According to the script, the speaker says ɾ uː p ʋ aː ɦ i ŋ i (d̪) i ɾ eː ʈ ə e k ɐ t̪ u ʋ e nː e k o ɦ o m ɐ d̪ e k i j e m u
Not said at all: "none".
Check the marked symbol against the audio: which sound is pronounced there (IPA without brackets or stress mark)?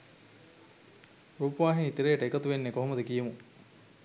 t̪